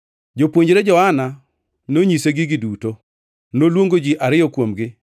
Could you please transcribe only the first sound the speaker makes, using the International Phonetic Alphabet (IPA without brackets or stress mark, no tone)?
d͡ʒ